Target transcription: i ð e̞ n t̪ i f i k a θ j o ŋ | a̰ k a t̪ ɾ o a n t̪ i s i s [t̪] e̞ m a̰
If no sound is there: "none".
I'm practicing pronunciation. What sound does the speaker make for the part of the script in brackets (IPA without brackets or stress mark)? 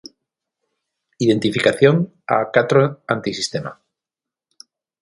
t̪